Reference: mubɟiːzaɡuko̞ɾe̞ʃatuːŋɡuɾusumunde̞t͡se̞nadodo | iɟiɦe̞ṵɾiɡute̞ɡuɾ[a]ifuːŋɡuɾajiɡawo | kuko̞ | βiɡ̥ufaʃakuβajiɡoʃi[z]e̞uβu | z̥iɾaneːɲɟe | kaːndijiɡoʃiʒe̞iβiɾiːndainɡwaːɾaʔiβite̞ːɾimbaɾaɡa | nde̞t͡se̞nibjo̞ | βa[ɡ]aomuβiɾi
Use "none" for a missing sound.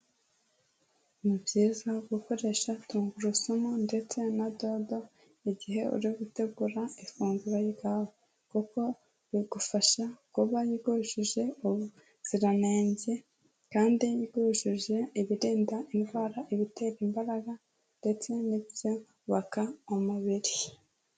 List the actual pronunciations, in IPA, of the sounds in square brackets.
a, ʒ, k

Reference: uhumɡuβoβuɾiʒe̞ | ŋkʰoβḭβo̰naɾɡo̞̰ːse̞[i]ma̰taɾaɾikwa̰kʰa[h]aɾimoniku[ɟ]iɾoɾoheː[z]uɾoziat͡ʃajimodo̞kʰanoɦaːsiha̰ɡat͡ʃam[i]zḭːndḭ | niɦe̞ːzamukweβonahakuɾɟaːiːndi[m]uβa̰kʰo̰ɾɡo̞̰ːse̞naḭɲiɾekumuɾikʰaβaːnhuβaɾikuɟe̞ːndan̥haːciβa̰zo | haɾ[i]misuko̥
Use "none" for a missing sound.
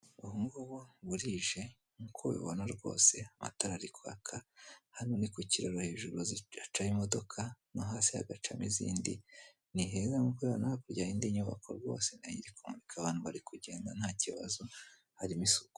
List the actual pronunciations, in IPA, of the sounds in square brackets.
a, h, c, ʒ, i, ɲ, i

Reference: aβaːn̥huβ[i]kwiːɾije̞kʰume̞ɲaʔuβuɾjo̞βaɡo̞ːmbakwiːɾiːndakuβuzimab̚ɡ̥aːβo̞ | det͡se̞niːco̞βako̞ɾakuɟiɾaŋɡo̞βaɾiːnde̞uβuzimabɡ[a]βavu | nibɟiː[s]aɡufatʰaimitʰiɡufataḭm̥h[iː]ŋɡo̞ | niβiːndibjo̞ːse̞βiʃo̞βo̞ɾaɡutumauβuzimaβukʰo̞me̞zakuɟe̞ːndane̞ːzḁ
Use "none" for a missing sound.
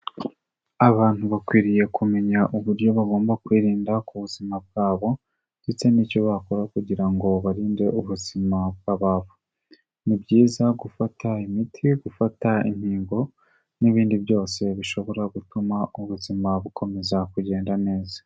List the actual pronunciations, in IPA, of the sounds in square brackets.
a, a, z, iː

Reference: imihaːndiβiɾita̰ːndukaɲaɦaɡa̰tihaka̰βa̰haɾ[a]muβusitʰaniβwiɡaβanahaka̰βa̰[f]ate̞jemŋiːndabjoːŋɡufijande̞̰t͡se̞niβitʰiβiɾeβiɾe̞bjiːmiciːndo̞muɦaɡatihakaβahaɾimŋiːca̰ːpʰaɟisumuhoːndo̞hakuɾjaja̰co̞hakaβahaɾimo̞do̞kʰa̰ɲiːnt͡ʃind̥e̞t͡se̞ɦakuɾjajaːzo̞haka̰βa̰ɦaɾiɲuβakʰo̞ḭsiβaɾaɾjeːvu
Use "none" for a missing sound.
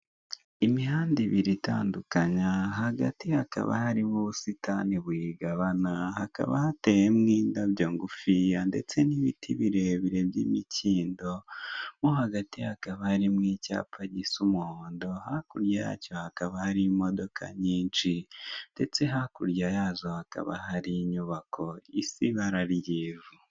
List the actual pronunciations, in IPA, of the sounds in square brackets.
i, h

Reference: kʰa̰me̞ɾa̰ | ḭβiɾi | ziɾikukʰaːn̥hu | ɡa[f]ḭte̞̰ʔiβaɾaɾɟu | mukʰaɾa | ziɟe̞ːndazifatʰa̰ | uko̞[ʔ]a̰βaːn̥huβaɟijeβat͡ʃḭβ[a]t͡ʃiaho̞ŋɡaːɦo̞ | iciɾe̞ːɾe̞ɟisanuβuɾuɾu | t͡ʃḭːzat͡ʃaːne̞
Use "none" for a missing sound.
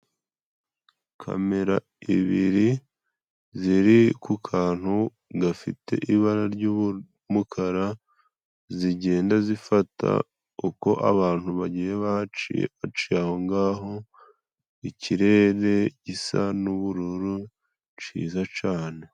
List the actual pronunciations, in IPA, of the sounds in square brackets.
f, ʔ, a

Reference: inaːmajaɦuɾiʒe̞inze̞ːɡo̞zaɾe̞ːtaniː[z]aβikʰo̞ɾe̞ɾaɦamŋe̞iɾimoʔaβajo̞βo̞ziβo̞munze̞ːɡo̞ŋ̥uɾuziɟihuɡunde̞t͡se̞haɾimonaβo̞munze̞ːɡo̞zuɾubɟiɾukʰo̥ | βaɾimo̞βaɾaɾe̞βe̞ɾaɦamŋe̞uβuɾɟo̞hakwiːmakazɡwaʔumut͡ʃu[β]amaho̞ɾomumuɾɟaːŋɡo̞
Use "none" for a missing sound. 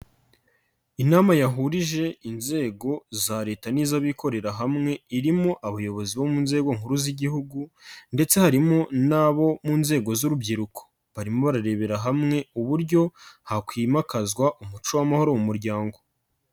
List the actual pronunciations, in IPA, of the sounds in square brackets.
z, w

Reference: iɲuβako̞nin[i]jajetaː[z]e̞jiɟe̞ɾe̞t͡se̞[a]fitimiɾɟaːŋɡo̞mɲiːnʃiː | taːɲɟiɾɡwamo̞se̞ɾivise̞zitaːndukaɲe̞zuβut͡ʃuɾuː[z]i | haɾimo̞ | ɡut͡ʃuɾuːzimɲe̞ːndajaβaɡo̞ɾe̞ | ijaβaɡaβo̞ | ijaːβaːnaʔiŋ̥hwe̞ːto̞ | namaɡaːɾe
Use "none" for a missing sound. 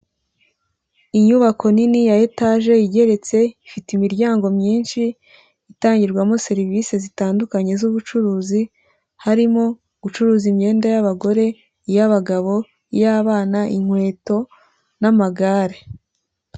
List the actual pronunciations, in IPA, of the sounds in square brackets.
i, ʒ, i, z

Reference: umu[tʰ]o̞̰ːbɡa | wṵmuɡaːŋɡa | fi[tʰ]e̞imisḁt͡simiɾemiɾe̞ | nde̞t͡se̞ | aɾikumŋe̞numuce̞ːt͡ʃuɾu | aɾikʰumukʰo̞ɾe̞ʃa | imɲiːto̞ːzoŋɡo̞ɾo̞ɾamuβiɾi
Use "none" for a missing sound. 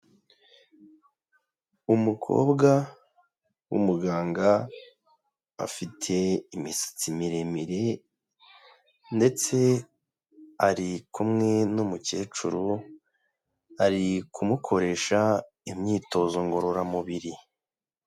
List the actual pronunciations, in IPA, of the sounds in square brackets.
kʰ, tʰ

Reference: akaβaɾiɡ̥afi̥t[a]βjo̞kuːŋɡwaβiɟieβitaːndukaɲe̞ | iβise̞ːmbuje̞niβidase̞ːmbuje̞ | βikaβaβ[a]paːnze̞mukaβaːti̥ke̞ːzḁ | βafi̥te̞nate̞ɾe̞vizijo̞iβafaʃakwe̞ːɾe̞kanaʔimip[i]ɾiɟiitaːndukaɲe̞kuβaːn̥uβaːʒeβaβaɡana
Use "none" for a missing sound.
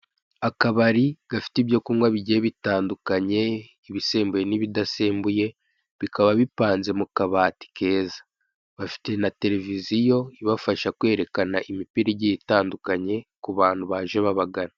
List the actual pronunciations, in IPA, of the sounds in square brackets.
i, i, i

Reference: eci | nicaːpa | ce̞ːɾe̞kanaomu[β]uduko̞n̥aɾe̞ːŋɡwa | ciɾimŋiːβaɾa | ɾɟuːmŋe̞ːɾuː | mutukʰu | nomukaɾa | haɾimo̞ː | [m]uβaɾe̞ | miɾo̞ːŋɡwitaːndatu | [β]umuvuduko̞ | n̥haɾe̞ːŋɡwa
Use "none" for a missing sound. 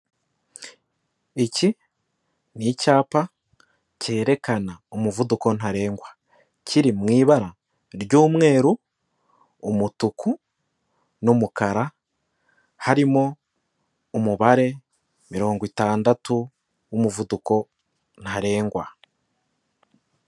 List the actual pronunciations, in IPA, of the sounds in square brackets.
v, m, w

